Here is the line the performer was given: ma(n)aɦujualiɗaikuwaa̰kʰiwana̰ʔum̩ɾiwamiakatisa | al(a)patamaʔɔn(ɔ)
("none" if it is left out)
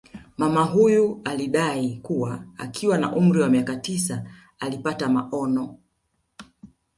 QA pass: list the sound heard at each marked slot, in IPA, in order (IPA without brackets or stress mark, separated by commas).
m, i, ɔ